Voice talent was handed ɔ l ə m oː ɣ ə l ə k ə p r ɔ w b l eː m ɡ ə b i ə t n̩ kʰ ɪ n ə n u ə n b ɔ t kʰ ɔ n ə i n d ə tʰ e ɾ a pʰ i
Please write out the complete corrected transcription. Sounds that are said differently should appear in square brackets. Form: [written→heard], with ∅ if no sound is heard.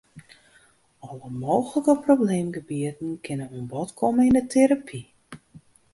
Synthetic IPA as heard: ɔ l ə m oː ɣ ə l ə k ə p r [ɔ→o] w b l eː m ɡ ə b i ə t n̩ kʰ ɪ n ə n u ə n b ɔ t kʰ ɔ [n→m] ə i n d ə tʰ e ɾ a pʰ i